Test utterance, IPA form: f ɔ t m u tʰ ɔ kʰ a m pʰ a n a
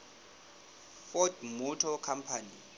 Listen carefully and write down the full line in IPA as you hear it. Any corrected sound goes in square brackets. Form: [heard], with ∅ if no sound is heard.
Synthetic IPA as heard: f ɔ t m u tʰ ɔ kʰ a m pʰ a n [i]